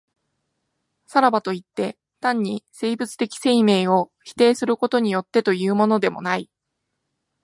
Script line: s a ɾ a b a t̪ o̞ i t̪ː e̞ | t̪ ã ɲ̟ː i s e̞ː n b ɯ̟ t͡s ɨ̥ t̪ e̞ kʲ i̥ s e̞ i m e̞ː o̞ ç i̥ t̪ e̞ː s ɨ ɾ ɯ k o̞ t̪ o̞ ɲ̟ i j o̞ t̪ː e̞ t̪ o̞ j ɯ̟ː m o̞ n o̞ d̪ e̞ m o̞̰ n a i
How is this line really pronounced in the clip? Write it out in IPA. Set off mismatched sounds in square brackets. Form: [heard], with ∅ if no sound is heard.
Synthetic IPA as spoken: s a ɾ a b a t̪ o̞ i t̪ː e̞ | t̪ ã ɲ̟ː i s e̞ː [∅] b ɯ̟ t͡s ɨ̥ t̪ e̞ kʲ i̥ s e̞ i m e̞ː o̞ ç i̥ t̪ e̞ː s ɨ ɾ ɯ k o̞ t̪ o̞ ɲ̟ i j o̞ t̪ː e̞ t̪ o̞ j ɯ̟ː m o̞ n o̞ d̪ e̞ m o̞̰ n a i